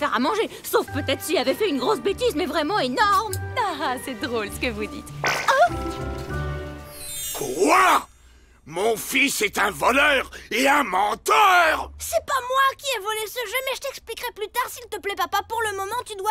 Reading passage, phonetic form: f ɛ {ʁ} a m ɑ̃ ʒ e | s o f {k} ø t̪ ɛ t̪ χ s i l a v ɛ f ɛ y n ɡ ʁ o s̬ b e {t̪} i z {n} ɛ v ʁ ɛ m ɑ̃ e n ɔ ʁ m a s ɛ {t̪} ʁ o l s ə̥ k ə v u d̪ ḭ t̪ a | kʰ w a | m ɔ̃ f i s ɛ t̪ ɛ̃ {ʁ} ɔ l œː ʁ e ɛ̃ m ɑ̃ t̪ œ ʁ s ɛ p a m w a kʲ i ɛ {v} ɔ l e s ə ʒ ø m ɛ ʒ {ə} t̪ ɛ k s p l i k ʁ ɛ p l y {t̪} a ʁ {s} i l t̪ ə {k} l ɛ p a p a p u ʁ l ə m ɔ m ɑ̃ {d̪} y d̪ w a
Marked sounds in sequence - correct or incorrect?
correct, incorrect: p, correct, incorrect: m, incorrect: d̪, incorrect: v, correct, correct, correct, correct, incorrect: p, incorrect: t̪

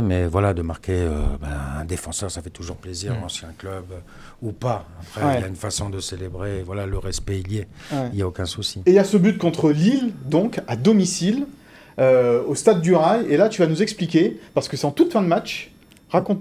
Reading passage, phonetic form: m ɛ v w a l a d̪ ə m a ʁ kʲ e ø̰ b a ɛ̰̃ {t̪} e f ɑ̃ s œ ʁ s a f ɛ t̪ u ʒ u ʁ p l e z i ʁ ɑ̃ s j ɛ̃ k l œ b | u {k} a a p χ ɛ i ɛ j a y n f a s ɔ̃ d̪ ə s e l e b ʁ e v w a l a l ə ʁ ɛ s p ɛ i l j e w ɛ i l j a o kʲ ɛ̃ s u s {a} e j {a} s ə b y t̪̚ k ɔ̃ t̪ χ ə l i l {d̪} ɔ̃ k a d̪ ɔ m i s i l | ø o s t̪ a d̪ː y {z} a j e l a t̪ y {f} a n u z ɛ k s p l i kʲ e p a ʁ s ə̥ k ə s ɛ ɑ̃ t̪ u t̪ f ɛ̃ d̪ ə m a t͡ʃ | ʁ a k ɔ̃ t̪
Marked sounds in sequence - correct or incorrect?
incorrect: d̪, incorrect: p, incorrect: i, correct, correct, incorrect: ʁ, incorrect: v

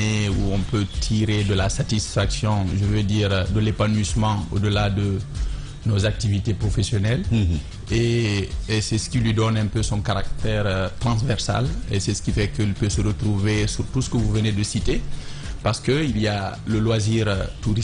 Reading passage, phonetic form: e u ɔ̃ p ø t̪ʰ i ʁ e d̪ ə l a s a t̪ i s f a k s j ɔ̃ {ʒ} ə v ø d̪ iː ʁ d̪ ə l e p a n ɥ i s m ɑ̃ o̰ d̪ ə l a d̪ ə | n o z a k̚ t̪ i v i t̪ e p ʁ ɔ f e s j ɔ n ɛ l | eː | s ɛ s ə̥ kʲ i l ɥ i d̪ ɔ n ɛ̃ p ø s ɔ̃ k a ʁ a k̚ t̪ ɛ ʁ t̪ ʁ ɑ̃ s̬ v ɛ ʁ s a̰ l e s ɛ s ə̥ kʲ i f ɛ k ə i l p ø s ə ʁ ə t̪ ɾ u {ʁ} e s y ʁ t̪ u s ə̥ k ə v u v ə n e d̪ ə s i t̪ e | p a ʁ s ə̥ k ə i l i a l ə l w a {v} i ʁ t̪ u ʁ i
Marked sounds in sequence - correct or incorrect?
correct, incorrect: v, incorrect: z

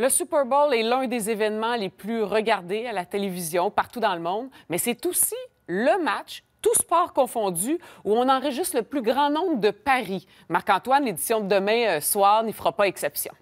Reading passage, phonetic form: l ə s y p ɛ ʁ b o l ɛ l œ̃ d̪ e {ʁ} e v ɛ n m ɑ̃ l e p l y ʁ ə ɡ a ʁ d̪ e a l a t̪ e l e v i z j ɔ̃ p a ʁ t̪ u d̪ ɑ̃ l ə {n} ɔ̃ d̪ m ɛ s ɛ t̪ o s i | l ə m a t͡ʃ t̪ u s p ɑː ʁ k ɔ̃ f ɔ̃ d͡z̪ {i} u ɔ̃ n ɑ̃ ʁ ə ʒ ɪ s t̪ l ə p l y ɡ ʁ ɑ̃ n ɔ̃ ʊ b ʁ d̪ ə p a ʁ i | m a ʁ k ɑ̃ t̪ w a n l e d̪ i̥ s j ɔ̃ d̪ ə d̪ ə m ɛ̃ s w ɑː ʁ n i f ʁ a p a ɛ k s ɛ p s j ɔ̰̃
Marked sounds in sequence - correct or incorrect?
incorrect: z, incorrect: m, incorrect: y

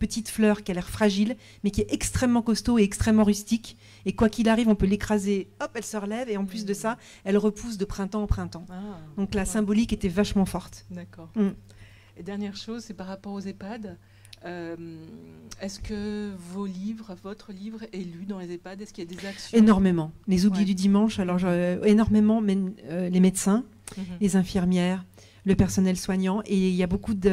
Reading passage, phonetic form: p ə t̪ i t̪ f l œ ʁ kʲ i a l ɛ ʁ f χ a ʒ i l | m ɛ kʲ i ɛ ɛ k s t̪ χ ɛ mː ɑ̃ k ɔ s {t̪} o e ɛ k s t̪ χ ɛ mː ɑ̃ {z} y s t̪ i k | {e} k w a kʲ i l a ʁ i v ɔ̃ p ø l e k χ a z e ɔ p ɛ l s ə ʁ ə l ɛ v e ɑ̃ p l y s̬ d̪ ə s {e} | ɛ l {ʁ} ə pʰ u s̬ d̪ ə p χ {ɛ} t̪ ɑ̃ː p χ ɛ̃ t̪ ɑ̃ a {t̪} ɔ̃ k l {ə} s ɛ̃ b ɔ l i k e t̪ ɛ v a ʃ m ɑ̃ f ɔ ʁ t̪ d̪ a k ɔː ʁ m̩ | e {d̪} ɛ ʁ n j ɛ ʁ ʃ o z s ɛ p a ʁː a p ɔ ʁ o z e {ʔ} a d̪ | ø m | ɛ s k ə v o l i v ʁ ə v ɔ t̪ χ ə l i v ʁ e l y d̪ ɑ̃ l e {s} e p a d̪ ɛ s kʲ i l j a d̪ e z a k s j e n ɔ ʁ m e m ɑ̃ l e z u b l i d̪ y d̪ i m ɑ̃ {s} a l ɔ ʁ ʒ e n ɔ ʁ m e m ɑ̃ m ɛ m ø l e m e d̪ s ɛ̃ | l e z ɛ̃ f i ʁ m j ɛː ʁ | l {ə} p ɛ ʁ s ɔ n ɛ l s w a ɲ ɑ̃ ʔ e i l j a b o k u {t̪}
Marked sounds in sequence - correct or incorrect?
correct, incorrect: ʁ, correct, incorrect: a, correct, incorrect: ɛ̃, incorrect: d̪, incorrect: a, correct, incorrect: p, incorrect: z, incorrect: ʃ, correct, incorrect: d̪

